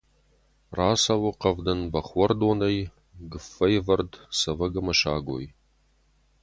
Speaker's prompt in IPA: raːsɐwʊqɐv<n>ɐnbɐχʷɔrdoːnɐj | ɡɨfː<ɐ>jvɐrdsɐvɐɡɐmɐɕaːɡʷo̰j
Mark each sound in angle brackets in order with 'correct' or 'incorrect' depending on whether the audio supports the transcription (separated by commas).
incorrect, correct